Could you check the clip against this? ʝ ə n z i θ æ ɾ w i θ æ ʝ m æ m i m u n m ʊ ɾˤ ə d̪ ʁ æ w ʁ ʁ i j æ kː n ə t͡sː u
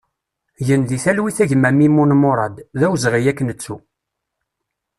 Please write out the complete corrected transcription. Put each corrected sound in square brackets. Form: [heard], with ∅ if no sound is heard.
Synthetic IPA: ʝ ə n [ð] i θ æ [l] w i θ æ ʝ m æ m i m u n m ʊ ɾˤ [ɑ] d̪ [ð] æ w [z] ʁ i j æ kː n ə t͡sː u